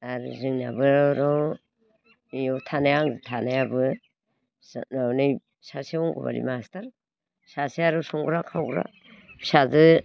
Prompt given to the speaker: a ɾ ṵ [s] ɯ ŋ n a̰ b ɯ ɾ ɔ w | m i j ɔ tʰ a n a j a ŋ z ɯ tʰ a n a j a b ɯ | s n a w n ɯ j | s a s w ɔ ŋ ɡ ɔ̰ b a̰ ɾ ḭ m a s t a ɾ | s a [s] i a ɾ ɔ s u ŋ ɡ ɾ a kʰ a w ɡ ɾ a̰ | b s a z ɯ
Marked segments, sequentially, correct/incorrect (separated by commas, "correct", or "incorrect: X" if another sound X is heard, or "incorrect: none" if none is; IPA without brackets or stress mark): incorrect: z, correct